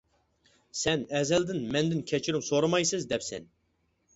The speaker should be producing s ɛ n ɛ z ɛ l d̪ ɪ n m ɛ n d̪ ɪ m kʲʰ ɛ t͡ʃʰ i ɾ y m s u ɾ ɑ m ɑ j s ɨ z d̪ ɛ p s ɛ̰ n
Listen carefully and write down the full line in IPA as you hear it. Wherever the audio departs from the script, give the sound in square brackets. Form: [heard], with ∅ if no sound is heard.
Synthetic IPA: s ɛ n ɛ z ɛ l d̪ ɪ n m ɛ n d̪ ɪ [n] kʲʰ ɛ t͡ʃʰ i ɾ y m s [o] ɾ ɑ m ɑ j s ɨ z d̪ ɛ p s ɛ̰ n